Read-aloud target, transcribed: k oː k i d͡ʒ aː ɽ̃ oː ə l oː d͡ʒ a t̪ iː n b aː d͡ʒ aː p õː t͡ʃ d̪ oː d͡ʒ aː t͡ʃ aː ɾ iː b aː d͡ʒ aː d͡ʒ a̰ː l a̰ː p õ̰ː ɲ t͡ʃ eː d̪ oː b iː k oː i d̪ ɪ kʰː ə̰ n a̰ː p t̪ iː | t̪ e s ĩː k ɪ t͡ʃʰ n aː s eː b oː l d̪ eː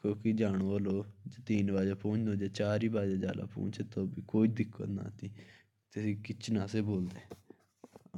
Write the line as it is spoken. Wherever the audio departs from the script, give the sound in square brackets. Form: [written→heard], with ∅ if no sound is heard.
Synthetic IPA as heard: k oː k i d͡ʒ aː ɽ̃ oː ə l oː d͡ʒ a t̪ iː n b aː d͡ʒ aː p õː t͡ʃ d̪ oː d͡ʒ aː t͡ʃ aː ɾ iː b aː d͡ʒ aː d͡ʒ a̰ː l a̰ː p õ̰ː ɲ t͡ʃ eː [d̪→t̪] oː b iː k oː i d̪ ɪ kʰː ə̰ n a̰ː [p→∅] t̪ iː | t̪ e s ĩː k ɪ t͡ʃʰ n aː s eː b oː l d̪ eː